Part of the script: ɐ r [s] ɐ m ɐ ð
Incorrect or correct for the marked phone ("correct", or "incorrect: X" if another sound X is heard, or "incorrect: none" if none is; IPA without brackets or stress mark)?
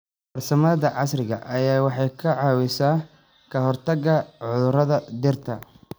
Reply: correct